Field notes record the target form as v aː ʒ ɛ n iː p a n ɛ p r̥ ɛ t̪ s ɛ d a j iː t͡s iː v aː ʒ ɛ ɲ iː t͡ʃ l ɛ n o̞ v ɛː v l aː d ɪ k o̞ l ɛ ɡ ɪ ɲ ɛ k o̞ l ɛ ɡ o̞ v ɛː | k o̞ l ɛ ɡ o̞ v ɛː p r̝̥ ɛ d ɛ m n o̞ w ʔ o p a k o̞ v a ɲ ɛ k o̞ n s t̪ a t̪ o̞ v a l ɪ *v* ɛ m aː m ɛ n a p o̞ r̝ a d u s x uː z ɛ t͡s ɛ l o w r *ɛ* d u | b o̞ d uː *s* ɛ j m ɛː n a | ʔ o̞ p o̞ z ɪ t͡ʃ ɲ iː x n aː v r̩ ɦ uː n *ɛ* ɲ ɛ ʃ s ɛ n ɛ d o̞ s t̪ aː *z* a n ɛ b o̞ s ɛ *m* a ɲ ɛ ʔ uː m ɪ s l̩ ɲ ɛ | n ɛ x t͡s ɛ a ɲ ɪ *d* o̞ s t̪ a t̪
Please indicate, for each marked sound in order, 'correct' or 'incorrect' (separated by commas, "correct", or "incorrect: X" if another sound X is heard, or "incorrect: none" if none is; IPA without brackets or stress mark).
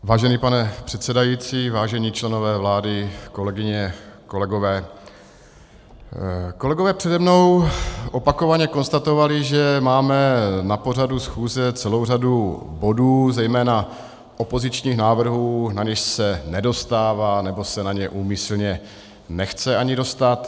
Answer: incorrect: ʒ, incorrect: a, incorrect: z, incorrect: a, incorrect: v, incorrect: n, correct